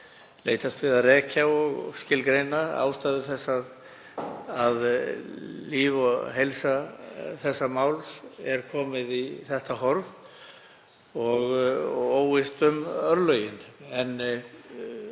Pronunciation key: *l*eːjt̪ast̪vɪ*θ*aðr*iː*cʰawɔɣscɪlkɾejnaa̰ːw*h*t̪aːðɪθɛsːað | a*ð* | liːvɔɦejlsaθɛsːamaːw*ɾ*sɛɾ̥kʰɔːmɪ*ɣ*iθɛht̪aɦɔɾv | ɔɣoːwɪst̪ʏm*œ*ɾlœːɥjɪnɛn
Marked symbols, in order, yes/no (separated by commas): yes, no, no, no, yes, no, no, yes